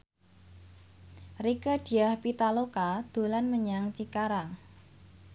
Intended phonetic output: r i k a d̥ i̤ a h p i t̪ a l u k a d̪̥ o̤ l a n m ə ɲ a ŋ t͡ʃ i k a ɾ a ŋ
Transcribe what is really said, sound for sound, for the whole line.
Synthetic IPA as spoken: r i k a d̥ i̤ a h p i t̪ a l o k a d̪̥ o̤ l a n m ə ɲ a ŋ t͡ʃ i k a ɾ a ŋ